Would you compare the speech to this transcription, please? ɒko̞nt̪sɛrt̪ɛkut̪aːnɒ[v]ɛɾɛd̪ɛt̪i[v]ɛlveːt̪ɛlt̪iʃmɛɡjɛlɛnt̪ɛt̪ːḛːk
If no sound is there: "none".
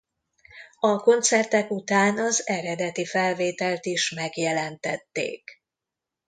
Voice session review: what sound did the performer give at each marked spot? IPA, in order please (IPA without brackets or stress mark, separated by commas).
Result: z, f